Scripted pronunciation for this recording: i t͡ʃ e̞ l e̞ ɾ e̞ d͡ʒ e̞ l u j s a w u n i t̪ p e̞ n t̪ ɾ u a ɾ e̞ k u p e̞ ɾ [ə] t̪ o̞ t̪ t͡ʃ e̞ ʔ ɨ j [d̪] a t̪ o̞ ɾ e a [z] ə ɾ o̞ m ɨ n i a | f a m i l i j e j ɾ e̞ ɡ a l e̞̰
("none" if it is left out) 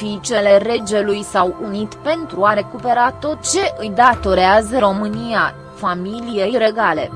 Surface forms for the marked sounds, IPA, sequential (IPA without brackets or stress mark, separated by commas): a, d̪, z